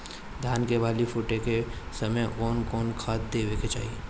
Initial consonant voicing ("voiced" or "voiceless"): voiced